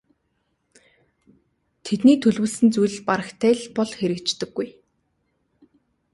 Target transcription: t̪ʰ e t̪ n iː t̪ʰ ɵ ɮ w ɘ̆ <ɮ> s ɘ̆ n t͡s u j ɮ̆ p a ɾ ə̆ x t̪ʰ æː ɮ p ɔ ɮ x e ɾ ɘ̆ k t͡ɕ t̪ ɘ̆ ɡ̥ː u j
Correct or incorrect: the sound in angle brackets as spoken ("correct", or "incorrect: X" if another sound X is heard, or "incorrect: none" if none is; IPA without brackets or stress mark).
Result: correct